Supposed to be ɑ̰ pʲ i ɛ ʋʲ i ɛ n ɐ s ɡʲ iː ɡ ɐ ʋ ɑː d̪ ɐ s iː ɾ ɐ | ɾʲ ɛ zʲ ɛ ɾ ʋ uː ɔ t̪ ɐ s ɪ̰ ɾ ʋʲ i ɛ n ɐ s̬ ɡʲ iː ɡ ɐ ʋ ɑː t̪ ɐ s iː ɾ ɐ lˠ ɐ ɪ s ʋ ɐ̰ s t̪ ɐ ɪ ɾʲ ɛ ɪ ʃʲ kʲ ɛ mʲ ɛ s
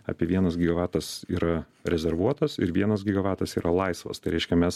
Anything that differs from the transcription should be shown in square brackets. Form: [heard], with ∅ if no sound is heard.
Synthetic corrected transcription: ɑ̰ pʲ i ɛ ʋʲ i ɛ n ɐ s ɡʲ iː ɡ ɐ ʋ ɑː [t̪] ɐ s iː ɾ ɐ | ɾʲ ɛ zʲ ɛ ɾ ʋ [u] ɔ t̪ ɐ s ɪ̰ ɾ ʋʲ i ɛ n ɐ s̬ ɡʲ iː ɡ ɐ ʋ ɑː t̪ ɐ s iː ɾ ɐ lˠ ɐ ɪ s ʋ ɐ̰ s t̪ ɐ ɪ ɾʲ ɛ ɪ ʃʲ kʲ ɛ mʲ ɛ s